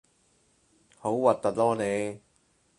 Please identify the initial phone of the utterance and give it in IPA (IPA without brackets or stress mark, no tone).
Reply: h